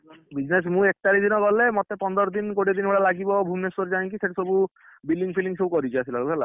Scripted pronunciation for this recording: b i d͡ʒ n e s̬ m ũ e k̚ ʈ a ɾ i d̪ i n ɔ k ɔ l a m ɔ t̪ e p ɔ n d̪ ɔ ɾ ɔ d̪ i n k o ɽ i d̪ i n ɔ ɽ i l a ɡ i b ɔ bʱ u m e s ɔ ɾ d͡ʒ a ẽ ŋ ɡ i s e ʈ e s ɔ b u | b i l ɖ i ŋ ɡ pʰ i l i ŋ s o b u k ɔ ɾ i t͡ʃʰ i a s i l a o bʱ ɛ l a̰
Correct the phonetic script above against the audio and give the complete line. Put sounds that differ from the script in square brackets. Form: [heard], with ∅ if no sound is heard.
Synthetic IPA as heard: b i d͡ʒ n e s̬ m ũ e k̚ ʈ a ɾ i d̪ i n ɔ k ɔ l [e] m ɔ t̪ e p ɔ n d̪ ɔ ɾ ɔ d̪ i n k o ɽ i d̪ i n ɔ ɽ [a] l a ɡ i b ɔ bʱ u m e s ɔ ɾ d͡ʒ a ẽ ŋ [k] i s e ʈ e s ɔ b u | b i l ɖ i ŋ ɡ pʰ i l i ŋ s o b u k ɔ ɾ i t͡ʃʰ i a s i l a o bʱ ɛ l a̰

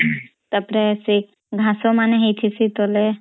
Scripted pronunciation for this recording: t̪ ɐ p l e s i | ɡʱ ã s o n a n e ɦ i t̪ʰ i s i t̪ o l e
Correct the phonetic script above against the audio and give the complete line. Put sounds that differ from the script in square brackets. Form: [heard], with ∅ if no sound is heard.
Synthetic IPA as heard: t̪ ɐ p [ɾ] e s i | ɡʱ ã s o [m] a n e ɦ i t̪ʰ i s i t̪ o l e

